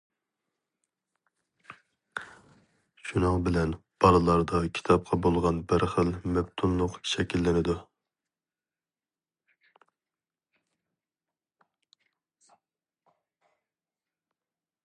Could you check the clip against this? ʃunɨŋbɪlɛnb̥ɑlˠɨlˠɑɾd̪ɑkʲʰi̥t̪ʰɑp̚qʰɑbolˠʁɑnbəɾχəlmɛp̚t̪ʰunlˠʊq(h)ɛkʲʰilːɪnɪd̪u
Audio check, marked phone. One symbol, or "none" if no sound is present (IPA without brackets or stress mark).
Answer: ʃ